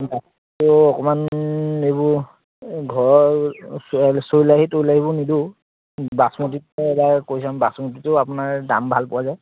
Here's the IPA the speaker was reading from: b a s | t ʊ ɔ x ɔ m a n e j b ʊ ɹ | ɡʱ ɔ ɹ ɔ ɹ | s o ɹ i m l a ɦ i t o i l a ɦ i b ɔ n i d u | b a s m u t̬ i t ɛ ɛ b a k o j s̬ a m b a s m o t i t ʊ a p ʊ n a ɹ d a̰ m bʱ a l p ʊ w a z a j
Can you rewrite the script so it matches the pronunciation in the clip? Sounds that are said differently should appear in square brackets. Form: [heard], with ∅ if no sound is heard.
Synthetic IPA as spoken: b a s | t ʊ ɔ [k] ɔ m a n e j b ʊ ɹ | ɡʱ ɔ ɹ ɔ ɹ | s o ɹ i [∅] l a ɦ i t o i l a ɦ i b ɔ n i d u | b a s m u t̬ i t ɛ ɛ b a k o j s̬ a m b a s m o t i t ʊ a p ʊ n a ɹ d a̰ m bʱ a l p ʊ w a z a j